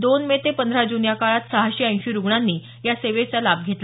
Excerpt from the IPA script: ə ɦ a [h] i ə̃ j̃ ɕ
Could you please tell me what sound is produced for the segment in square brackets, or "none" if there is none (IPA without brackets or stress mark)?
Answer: ɕ